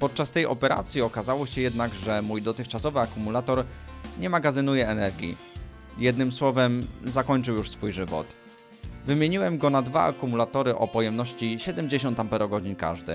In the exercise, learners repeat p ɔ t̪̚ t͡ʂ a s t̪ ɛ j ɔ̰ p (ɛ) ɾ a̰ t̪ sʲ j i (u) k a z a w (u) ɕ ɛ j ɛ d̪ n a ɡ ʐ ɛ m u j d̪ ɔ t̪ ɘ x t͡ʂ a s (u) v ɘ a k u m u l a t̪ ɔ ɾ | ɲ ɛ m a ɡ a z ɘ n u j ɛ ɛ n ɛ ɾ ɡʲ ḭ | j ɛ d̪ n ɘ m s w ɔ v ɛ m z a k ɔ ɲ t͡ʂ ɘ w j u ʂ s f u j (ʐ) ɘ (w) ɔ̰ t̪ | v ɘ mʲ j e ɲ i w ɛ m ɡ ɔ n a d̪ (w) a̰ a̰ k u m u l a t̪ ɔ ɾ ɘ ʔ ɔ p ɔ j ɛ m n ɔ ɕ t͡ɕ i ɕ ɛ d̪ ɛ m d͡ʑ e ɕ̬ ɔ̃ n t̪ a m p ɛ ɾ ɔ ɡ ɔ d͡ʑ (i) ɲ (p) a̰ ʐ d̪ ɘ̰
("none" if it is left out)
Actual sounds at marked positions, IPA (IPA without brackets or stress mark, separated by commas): ɛ, ɔ, ɔ, ɔ, ʐ, v, v, i, k